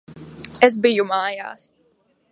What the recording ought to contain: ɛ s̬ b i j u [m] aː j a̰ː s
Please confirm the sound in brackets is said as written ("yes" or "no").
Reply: yes